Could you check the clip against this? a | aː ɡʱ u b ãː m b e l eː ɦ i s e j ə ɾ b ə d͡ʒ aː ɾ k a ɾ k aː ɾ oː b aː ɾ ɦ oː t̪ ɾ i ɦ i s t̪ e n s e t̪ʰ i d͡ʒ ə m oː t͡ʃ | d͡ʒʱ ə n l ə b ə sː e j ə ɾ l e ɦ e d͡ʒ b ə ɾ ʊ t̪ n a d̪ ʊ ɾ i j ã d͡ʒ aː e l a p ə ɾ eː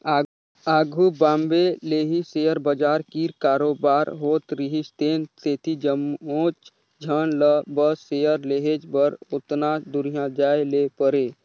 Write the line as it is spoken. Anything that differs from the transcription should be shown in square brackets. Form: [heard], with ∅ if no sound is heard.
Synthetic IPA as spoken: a | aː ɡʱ u b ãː m b e l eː ɦ i s e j ə ɾ b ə d͡ʒ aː ɾ k [i] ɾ k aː ɾ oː b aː ɾ ɦ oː t̪ ɾ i ɦ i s t̪ e n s e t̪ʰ i d͡ʒ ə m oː t͡ʃ | d͡ʒʱ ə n l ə b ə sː e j ə ɾ l e ɦ e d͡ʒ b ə ɾ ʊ t̪ n a d̪ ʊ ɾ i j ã d͡ʒ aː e l [e] p ə ɾ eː

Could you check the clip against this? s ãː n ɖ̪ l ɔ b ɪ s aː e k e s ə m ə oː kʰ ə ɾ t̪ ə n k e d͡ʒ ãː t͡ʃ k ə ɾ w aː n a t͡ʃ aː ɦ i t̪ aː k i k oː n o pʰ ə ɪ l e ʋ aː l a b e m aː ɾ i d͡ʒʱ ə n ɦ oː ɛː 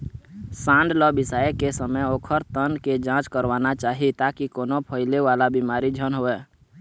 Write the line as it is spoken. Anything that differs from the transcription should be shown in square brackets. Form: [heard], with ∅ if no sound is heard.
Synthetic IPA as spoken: s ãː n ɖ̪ l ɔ b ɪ s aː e k e s ə m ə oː kʰ ə ɾ t̪ ə n k e d͡ʒ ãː t͡ʃ k ə ɾ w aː n a t͡ʃ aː ɦ i t̪ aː k i k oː n o pʰ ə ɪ l e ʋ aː l a b [i] m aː ɾ i d͡ʒʱ ə n ɦ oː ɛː

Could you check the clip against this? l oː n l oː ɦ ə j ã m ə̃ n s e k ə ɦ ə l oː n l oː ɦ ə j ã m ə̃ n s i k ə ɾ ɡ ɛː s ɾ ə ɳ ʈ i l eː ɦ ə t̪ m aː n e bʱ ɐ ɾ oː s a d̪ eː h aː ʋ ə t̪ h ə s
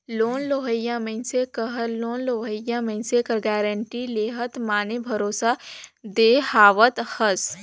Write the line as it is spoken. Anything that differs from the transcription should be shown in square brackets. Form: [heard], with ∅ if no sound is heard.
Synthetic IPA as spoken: l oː n l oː ɦ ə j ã m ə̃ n s e k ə ɦ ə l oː n l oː ɦ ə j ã m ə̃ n s [e] k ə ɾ ɡ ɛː [∅] ɾ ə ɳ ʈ i l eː ɦ ə t̪ m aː n e bʱ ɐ ɾ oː s a d̪ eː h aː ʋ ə t̪ h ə s

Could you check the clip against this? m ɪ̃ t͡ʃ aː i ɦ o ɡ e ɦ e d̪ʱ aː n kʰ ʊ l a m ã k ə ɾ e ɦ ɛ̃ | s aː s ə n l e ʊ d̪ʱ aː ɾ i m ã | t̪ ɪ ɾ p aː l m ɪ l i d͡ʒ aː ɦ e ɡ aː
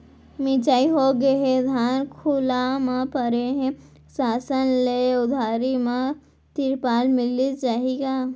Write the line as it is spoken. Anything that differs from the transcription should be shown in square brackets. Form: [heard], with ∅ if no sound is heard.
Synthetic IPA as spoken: m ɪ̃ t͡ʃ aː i ɦ o ɡ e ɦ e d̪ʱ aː n kʰ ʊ l a m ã [p] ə ɾ e ɦ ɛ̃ | s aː s ə n l e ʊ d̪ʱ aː ɾ i m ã | t̪ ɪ ɾ p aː l m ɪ l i d͡ʒ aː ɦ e ɡ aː

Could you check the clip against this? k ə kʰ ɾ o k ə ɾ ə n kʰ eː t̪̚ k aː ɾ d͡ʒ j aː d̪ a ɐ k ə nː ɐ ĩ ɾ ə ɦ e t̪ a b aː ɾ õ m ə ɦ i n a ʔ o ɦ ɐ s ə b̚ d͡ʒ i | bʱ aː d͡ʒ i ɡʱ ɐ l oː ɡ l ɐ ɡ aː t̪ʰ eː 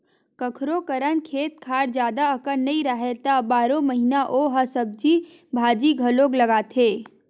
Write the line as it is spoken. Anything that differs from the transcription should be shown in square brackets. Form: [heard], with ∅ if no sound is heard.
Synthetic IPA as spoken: k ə kʰ ɾ o k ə ɾ ə n kʰ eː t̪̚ [kʰ] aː ɾ d͡ʒ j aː d̪ a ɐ k ə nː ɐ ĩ ɾ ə ɦ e t̪ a b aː ɾ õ m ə ɦ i n a ʔ o ɦ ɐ s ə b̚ d͡ʒ i | bʱ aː d͡ʒ i ɡʱ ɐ l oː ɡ l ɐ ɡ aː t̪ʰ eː

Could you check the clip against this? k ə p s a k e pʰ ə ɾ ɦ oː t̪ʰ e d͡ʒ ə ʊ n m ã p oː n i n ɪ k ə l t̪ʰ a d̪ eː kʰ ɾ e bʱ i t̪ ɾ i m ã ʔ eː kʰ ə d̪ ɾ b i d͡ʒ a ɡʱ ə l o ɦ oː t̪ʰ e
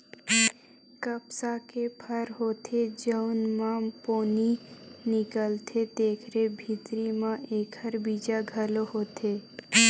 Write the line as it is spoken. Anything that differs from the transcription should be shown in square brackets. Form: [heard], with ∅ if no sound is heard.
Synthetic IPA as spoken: k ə p s a k e pʰ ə ɾ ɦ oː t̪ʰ e d͡ʒ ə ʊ n m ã p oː n i n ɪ k ə l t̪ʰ [e] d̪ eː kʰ ɾ e bʱ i t̪ ɾ i m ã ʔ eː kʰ ə [∅] ɾ b i d͡ʒ a ɡʱ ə l o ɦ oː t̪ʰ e

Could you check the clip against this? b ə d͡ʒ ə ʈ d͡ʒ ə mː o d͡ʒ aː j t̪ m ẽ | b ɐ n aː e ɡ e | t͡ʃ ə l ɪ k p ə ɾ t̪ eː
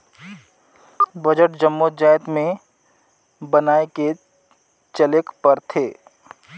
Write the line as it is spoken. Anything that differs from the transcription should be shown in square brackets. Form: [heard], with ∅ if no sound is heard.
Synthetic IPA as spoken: b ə d͡ʒ ə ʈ d͡ʒ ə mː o d͡ʒ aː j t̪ m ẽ | b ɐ n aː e [k] e | t͡ʃ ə l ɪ k p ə ɾ [t̪ʰ] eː

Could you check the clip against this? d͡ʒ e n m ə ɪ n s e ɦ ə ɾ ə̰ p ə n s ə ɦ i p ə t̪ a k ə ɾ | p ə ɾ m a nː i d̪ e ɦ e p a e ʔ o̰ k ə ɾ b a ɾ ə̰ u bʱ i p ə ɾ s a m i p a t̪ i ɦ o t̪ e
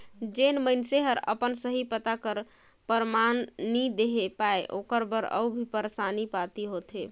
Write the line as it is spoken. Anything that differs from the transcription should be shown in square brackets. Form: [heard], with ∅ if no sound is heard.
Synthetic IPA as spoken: d͡ʒ e n m ə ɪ n s e ɦ ə ɾ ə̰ p ə n s ə ɦ i p ə t̪ a k ə ɾ | p ə ɾ m a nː i d̪ e ɦ e p a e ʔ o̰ k ə ɾ b [ə] ɾ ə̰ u bʱ i p ə ɾ s a [n] i p a t̪ i ɦ o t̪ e

